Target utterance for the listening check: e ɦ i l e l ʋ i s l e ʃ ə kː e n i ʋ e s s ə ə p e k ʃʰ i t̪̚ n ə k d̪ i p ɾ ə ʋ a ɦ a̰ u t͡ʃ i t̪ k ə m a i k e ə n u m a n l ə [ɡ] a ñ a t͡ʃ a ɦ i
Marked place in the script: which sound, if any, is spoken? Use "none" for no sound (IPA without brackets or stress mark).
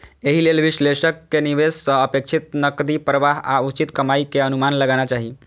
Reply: ɡ